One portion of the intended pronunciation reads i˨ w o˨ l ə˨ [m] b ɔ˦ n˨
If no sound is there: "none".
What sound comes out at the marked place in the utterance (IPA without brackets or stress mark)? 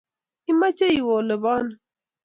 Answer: none